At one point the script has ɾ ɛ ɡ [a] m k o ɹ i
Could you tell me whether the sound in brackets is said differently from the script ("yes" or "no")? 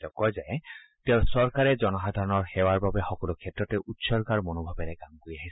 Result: no